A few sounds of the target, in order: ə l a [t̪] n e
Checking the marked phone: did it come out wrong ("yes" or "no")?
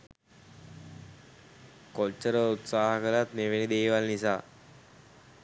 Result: no